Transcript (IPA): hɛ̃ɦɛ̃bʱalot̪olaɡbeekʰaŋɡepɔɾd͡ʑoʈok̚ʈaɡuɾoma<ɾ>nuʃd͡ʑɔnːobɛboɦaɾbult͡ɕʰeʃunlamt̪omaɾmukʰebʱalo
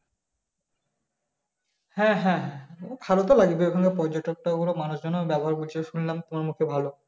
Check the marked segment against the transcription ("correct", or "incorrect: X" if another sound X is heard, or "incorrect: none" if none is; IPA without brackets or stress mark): incorrect: none